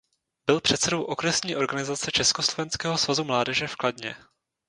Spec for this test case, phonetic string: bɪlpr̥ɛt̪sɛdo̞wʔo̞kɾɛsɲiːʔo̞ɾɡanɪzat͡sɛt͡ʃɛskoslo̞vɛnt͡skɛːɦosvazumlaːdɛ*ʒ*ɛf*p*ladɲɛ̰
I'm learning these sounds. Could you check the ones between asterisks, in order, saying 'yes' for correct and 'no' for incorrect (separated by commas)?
yes, no